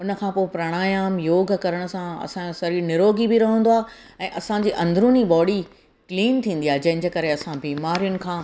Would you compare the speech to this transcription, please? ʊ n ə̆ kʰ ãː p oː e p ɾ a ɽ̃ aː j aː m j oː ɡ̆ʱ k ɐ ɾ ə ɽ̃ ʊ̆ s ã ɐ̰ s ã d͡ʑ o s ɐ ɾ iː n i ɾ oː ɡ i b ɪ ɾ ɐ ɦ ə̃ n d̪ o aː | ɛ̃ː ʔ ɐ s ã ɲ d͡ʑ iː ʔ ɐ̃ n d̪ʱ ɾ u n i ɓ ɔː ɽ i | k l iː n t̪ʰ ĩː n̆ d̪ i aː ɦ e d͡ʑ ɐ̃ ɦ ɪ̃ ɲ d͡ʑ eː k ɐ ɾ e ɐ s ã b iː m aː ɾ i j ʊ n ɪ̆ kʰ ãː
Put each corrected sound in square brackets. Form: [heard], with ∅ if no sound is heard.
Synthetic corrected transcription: ʊ n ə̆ kʰ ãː p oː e p ɾ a ɽ̃ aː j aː m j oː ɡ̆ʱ k ɐ ɾ ə ɽ̃ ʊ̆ s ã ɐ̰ s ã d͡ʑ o s ɐ ɾ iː n [ɪ] ɾ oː ɡ i b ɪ ɾ ɐ ɦ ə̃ n d̪ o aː | ɛ̃ː ʔ ɐ s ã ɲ d͡ʑ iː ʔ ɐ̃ n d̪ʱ ɾ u n i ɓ ɔː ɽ i | k l iː n t̪ʰ ĩː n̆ d̪ i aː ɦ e d͡ʑ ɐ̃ ɦ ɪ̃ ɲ d͡ʑ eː k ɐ ɾ e ɐ s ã b iː m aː ɾ i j ʊ n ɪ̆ kʰ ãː